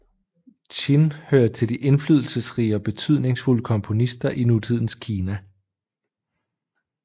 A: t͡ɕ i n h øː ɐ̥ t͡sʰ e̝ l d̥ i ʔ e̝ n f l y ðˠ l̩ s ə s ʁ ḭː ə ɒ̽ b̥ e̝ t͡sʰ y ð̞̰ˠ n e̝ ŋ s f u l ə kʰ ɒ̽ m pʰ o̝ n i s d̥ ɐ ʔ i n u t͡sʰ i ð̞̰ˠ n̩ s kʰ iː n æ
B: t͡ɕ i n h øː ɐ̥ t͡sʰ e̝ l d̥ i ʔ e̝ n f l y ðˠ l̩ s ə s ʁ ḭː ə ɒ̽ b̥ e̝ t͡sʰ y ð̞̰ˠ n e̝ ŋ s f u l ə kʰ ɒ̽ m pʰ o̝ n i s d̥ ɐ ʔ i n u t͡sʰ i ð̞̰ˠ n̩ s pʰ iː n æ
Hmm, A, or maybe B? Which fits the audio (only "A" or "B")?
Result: A